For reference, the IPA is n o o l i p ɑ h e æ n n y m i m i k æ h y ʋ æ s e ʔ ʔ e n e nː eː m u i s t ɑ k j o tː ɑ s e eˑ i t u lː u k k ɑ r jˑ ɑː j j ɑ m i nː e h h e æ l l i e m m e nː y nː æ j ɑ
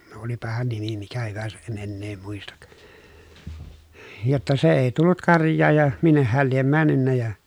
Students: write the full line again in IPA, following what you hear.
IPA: n o o l i p ɑ h e æ n n i m i m i k æ h y ʋ æ s æ ʔ ʔ e n e nː eː m u i s t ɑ k j o tː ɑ s e eˑ i t u lː u t k ɑ r jˑ ɑː j j ɑ m i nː e h h e æ l l i e m m æ nː y nː æ j ɑ